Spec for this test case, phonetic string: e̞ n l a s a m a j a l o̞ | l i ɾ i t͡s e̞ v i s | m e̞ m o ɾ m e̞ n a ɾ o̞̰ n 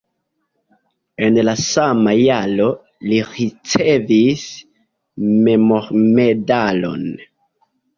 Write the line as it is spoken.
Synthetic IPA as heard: e̞ n l a s a m a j a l o̞ | l i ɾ i t͡s e̞ v i s | m e̞ m o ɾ m e̞ d a l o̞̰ n